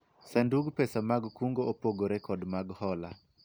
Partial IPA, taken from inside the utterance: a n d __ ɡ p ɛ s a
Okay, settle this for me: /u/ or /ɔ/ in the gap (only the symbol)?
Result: u